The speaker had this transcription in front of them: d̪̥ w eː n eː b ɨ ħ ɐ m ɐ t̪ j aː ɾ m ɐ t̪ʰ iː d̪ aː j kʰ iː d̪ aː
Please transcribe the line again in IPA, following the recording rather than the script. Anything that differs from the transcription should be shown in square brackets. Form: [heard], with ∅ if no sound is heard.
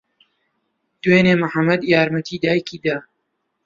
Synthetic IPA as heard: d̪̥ w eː n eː [m] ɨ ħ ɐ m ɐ [d̪] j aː ɾ m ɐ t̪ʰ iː d̪ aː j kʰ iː d̪ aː